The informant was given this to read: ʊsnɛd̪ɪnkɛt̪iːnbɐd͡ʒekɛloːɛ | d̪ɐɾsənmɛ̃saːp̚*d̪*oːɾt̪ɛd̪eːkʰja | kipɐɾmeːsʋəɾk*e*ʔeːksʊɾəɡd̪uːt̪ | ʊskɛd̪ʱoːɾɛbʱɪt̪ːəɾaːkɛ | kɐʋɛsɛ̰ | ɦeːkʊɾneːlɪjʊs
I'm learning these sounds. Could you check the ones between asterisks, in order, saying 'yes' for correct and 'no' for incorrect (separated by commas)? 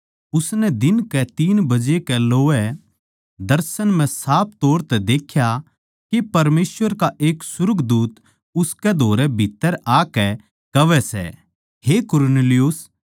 no, no